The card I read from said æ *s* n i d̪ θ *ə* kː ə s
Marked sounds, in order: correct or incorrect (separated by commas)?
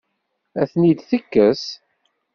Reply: incorrect, correct